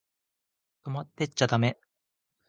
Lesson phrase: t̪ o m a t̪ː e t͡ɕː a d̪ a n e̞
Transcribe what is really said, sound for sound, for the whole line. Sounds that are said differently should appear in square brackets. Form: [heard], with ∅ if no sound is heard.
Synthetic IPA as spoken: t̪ o m a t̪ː e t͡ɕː a [t̪] a [m] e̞

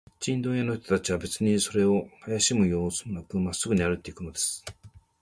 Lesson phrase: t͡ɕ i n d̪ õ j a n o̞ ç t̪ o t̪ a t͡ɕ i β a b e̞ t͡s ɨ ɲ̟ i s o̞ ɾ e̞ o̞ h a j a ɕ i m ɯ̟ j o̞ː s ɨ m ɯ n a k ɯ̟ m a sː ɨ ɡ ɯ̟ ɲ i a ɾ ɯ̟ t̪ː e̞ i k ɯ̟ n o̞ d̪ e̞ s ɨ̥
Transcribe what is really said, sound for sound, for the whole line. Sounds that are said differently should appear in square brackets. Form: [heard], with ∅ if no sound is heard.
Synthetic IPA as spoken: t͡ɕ [ĩ] n d̪ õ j a n o̞ ç t̪ o t̪ a t͡ɕ i β a b e̞ t͡s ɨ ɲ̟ i s o̞ ɾ e̞ o̞ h a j a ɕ i m ɯ̟ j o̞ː s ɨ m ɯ n a k ɯ̟ m a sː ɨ ɡ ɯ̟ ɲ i a ɾ ɯ̟ t̪ː e̞ i k ɯ̟ n o̞ d̪ e̞ s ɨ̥

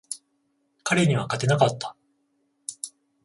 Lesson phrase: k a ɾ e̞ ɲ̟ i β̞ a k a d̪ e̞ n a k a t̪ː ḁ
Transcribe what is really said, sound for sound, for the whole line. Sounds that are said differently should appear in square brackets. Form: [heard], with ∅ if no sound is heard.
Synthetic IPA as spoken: k a ɾ e̞ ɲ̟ i β̞ a k a [t̪] e̞ n a k a t̪ː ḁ

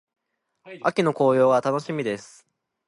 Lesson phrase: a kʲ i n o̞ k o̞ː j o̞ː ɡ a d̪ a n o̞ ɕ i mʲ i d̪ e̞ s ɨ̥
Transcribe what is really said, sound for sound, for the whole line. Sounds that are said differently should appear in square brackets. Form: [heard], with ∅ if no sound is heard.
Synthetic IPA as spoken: a kʲ i n o̞ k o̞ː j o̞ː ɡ a [t̪] a n o̞ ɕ i mʲ i d̪ e̞ s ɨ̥

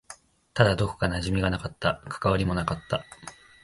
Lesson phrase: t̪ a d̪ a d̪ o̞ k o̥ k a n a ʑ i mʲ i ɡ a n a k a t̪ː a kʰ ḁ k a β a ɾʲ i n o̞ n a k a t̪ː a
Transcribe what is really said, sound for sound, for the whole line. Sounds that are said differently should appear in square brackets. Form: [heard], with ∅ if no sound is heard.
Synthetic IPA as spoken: t̪ a d̪ a d̪ o̞ k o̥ k a n a ʑ i mʲ i ɡ a n a k a t̪ː a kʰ ḁ k a β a ɾʲ i [m] o̞ n a k a t̪ː a

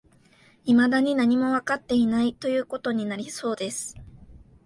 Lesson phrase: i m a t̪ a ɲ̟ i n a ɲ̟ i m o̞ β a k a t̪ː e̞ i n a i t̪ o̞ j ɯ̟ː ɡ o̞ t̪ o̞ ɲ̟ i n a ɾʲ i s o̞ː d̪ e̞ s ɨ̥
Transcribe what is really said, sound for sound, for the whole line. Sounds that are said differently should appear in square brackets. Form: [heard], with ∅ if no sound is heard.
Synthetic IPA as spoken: i m a [d̪] a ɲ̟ i n a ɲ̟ i m o̞ β a k a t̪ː e̞ i n a i t̪ o̞ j ɯ̟ː [k] o̞ t̪ o̞ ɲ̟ i n a ɾʲ i s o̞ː d̪ e̞ s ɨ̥

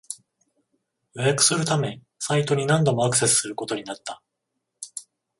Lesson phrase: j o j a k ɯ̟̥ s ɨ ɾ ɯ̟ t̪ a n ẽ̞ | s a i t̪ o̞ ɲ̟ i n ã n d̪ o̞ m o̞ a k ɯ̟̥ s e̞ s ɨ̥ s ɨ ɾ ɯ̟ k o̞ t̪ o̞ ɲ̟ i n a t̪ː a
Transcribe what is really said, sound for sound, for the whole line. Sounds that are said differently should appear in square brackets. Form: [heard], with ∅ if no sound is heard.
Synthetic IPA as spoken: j o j a k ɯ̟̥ s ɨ ɾ ɯ̟ t̪ a [m] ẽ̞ | s a i t̪ o̞ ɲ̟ i n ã n d̪ o̞ m o̞ a k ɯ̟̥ s e̞ s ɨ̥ s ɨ ɾ ɯ̟ k o̞ t̪ o̞ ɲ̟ i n a t̪ː a

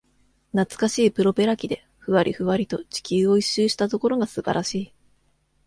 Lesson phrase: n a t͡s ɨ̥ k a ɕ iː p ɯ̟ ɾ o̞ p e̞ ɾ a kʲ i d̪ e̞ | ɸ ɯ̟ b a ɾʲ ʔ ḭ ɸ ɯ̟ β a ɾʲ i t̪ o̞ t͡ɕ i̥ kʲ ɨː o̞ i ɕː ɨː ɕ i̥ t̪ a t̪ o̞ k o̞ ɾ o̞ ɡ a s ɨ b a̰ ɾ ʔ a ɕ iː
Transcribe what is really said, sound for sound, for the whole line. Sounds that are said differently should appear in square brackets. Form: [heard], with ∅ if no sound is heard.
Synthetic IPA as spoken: n a t͡s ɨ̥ k a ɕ iː p ɯ̟ ɾ o̞ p e̞ ɾ a kʲ i d̪ e̞ | ɸ ɯ̟ [β] a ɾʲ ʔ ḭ ɸ ɯ̟ β a ɾʲ i t̪ o̞ t͡ɕ i̥ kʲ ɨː o̞ i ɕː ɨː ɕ i̥ t̪ a t̪ o̞ k o̞ ɾ o̞ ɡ a s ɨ b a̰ ɾ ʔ a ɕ iː

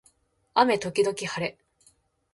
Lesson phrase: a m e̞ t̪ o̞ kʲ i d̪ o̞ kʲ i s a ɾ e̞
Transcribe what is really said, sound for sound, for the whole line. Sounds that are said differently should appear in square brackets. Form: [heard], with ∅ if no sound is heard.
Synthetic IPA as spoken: a m e̞ t̪ o̞ kʲ i d̪ o̞ kʲ i [h] a ɾ e̞

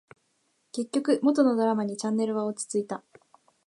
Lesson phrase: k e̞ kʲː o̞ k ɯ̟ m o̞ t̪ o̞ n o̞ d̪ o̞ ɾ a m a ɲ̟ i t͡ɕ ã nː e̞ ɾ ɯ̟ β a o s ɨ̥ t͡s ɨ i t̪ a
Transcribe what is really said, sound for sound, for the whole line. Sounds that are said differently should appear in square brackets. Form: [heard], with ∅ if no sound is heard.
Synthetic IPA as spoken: k e̞ kʲː o̞ k ɯ̟ m o̞ t̪ o̞ n o̞ d̪ o̞ ɾ a m a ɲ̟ i t͡ɕ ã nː e̞ ɾ ɯ̟ β a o [t͡s] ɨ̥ t͡s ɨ i t̪ a

